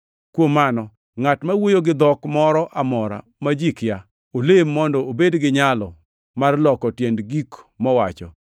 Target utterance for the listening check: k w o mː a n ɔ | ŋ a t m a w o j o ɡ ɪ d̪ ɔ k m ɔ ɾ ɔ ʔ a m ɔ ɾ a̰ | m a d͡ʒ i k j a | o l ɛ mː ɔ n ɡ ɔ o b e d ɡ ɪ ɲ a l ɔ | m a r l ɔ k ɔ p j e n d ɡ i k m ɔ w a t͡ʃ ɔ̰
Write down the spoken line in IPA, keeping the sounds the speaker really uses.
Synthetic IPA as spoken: k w o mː a n ɔ | ŋ a t m a w o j o ɡ ɪ d̪ ɔ k m ɔ ɾ ɔ ʔ a m ɔ ɾ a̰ | m a d͡ʒ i k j a | o l e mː ɔ n d ɔ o b e d ɡ ɪ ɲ a l ɔ | m a r l ɔ k ɔ t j e n d ɡ i k m ɔ w a t͡ʃ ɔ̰